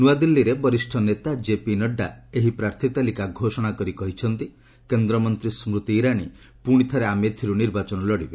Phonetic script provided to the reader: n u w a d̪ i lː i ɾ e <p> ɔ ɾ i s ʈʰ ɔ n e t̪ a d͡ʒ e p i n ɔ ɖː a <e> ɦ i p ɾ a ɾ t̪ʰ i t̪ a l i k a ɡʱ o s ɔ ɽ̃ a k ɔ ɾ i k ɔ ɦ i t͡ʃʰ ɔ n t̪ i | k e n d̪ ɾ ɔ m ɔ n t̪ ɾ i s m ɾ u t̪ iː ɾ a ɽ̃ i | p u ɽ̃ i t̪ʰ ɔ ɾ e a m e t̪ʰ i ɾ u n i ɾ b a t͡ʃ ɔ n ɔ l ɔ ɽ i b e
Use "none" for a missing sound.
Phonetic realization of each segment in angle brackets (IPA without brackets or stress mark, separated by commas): b, e